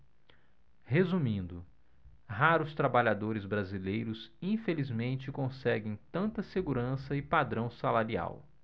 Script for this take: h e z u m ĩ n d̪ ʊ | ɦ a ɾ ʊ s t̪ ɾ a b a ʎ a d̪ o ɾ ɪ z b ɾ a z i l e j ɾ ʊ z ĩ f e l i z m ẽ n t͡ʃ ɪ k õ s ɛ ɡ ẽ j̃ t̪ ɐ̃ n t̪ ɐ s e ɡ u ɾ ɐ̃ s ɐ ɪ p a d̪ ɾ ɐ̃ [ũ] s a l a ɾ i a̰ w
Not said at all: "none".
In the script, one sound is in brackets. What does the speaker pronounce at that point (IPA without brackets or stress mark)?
w̃